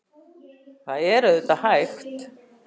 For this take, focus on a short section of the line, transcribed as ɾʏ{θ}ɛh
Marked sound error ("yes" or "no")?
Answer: yes